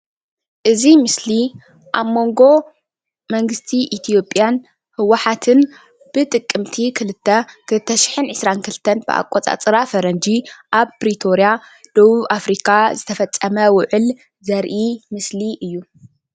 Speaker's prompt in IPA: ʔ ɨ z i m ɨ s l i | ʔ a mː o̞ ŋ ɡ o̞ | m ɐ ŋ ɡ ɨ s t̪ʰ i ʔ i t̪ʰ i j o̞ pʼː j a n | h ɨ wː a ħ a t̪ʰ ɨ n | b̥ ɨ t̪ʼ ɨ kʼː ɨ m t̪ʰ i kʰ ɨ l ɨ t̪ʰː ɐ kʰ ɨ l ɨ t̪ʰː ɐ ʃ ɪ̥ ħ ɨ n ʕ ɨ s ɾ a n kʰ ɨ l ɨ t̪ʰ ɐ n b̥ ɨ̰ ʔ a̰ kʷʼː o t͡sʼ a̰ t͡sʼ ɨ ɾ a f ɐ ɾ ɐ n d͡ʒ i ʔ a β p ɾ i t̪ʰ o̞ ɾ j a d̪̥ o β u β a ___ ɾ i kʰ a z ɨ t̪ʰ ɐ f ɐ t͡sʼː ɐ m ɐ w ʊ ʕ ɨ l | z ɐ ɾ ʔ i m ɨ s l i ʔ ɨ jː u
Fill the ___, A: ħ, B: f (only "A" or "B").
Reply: B